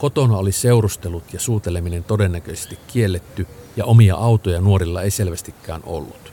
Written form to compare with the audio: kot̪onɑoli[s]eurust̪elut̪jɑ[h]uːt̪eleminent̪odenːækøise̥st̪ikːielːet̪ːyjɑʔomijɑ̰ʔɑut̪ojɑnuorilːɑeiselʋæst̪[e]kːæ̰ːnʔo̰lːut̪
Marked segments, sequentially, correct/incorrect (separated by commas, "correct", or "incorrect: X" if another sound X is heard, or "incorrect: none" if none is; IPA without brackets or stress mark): correct, incorrect: s, incorrect: i